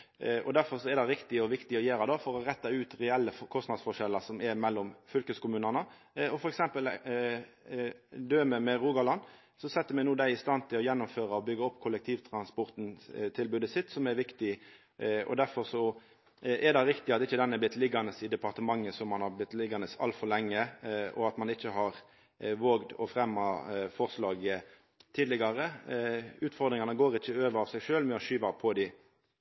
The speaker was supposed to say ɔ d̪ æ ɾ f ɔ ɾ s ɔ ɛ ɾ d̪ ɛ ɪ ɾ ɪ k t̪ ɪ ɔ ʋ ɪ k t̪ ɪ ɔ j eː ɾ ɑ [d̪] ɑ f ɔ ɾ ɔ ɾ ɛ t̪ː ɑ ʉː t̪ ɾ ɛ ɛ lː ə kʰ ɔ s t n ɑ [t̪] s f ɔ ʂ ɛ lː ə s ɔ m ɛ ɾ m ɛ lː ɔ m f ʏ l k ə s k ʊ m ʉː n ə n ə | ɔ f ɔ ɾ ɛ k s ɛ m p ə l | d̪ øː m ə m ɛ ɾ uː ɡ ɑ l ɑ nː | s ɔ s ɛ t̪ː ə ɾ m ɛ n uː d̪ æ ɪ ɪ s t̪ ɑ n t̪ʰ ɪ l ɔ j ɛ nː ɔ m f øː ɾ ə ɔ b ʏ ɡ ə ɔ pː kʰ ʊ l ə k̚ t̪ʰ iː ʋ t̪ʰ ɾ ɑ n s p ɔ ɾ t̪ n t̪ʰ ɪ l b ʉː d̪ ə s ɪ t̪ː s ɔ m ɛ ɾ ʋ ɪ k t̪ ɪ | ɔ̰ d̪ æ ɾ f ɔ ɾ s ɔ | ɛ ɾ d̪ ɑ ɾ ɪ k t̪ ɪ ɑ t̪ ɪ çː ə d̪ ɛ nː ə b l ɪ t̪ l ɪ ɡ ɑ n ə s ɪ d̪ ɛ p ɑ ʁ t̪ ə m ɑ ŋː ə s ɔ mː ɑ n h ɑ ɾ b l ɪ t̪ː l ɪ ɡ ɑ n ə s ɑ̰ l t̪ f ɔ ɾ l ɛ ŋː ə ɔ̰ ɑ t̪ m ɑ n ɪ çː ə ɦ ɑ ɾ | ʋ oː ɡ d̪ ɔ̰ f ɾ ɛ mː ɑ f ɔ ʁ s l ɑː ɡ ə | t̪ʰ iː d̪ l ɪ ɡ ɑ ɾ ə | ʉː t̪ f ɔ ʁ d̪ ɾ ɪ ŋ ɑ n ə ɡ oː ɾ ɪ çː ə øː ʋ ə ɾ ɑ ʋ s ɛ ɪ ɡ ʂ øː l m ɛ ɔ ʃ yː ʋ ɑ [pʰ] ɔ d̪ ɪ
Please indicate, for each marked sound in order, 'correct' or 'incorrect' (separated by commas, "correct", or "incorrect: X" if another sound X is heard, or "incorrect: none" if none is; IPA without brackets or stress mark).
correct, incorrect: d̪, correct